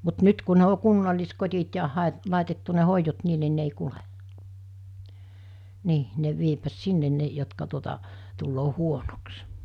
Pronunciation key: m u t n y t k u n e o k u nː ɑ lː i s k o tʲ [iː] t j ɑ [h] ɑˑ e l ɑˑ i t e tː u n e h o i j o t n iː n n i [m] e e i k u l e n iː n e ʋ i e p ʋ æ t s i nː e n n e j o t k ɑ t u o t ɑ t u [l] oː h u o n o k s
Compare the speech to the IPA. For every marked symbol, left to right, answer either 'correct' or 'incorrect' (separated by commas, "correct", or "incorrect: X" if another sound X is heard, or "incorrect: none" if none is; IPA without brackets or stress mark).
incorrect: i, correct, incorrect: n, incorrect: lː